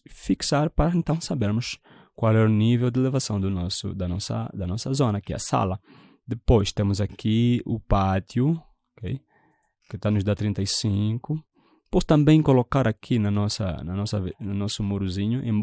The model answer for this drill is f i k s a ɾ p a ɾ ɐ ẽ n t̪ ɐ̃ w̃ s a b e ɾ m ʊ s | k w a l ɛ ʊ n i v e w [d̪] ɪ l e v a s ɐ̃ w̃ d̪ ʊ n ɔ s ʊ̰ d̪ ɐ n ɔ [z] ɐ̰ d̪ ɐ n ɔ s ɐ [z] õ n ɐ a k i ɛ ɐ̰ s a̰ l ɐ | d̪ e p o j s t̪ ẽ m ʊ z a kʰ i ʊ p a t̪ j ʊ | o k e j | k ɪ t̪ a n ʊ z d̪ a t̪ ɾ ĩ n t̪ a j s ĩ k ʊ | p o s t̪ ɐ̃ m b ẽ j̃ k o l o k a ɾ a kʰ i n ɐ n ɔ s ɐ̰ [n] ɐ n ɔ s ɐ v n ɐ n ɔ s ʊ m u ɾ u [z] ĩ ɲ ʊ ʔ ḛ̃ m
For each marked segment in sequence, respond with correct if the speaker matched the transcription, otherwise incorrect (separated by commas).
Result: correct, incorrect, correct, correct, correct